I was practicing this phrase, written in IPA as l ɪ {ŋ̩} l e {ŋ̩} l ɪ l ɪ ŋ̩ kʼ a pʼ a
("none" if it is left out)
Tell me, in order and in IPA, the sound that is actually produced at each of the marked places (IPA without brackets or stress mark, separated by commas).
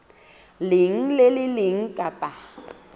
ŋ̩, none